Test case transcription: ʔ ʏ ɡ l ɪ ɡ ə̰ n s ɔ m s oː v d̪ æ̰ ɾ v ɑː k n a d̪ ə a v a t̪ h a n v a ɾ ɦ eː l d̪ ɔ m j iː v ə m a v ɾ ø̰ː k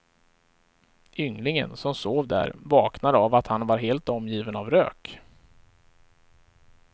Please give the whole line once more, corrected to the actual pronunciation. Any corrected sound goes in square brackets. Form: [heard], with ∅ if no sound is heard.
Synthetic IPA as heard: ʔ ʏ [ŋ] l ɪ [ŋ] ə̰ n s ɔ m s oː v d̪ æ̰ ɾ v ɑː k n a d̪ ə a v a t̪ h a n v a ɾ ɦ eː l [t̪] ɔ m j iː v ə [n] a v ɾ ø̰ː k